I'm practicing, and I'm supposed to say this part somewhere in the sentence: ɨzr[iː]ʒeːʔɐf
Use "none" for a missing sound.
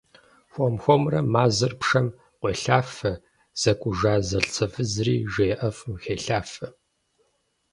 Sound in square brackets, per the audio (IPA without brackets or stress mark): iː